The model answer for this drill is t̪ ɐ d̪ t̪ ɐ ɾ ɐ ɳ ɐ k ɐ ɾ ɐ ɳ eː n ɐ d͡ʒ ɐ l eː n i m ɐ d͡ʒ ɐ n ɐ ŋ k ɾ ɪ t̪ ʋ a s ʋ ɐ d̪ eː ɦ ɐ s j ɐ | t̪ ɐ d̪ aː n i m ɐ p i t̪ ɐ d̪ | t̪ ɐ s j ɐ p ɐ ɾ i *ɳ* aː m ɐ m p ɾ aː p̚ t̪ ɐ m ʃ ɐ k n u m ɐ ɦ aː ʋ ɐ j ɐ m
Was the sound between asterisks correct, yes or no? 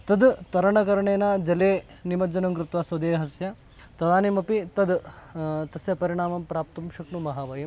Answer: yes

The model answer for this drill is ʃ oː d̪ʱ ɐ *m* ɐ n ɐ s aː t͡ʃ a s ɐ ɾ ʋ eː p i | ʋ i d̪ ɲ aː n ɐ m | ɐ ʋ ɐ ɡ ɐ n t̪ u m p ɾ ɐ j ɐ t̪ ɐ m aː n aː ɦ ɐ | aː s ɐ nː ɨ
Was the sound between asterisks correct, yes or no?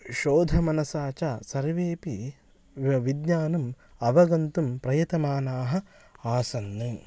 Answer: yes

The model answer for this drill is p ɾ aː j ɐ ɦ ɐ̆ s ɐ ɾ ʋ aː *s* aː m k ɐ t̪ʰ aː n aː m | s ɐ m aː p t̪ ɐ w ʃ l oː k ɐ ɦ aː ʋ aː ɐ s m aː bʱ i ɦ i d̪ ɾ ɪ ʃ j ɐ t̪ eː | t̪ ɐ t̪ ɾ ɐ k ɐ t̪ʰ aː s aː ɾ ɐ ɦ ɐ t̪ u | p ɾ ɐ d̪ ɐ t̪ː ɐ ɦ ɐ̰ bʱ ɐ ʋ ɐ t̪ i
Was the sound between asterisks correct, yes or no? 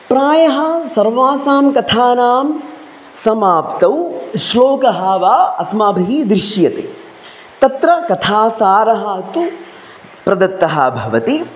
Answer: yes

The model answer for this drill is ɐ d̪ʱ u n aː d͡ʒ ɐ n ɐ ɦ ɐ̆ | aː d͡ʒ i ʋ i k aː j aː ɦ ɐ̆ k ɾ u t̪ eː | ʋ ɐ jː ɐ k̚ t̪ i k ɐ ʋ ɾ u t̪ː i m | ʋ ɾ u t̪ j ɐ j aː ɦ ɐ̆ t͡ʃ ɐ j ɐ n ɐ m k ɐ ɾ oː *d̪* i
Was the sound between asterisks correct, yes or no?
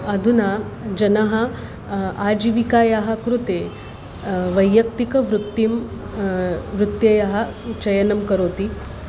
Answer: no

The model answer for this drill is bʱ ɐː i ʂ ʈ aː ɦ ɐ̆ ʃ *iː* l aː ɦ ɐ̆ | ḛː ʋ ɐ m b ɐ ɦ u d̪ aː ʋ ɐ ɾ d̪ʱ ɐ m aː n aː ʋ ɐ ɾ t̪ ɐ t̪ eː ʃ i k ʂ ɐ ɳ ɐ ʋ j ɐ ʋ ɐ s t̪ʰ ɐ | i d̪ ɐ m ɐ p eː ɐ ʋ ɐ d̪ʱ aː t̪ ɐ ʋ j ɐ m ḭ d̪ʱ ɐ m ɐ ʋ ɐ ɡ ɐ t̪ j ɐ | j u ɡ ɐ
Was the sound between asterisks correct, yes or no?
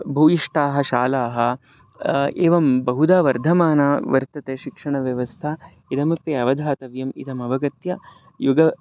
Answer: no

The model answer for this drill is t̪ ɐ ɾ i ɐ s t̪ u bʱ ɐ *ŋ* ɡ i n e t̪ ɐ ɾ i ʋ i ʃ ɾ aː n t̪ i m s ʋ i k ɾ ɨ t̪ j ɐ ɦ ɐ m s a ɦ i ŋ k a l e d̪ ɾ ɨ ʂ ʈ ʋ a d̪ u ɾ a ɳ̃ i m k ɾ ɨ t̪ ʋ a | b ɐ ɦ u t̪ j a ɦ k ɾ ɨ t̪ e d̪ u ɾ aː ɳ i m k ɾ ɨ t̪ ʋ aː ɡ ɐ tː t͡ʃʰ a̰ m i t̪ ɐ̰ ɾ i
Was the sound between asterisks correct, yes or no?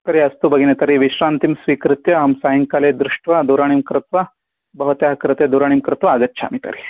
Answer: no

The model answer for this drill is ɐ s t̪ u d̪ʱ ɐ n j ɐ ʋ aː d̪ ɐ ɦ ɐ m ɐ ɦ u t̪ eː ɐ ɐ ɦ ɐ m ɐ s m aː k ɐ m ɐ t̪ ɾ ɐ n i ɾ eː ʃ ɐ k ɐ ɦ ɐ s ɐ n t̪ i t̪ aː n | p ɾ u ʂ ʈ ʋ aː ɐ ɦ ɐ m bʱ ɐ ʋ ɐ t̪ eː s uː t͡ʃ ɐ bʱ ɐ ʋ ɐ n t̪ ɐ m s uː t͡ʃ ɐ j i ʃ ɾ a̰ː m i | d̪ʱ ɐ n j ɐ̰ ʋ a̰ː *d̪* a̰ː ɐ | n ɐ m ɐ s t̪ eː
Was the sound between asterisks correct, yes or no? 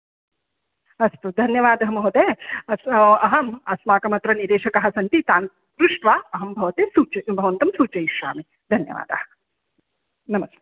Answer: yes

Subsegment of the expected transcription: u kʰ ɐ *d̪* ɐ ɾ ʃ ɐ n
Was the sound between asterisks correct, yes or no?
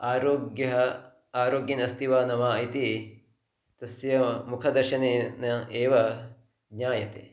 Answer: yes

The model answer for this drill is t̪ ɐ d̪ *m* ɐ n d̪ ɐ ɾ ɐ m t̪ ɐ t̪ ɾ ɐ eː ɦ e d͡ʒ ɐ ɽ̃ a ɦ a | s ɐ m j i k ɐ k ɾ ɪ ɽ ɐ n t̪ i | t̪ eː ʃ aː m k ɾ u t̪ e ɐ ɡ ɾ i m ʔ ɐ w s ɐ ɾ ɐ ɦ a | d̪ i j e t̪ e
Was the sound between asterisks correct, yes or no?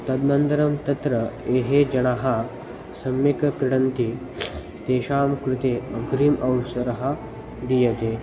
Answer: no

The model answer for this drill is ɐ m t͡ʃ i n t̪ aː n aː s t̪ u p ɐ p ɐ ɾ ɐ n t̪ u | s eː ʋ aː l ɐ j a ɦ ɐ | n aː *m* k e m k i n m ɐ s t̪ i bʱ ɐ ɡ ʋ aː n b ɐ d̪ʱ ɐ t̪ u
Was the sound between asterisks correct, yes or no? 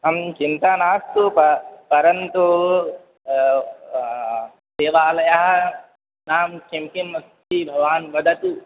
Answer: yes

